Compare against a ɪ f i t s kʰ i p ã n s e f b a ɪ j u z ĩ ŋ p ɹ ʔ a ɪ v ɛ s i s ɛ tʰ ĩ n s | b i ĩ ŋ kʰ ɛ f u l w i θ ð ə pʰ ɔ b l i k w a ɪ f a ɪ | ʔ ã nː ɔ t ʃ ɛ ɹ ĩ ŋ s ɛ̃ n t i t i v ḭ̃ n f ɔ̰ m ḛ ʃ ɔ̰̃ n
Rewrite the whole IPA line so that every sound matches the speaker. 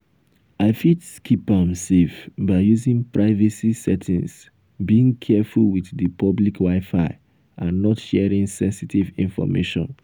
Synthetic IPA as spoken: a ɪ f i t s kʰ i p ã m s e f b a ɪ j u z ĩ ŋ p ɹ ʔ a ɪ v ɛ s i s ɛ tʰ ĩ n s | b i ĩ ŋ kʰ ɛ f u l w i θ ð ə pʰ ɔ b l i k w a ɪ f a ɪ | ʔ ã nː ɔ t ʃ ɛ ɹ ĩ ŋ s ɛ̃ n s i t i v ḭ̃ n f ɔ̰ m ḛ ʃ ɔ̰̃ n